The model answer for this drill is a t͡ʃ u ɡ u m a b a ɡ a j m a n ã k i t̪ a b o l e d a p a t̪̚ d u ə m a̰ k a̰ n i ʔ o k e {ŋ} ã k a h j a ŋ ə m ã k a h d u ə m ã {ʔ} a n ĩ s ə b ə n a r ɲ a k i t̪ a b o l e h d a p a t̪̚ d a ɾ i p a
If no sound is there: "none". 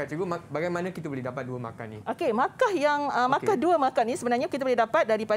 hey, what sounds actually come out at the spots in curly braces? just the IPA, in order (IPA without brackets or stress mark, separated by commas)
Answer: m, k